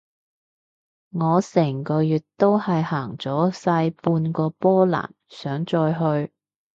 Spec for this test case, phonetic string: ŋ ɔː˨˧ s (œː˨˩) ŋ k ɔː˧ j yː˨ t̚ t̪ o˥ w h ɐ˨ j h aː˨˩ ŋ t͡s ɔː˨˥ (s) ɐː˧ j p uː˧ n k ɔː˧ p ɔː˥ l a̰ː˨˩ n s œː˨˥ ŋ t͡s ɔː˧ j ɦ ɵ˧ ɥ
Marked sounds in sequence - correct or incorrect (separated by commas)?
incorrect, correct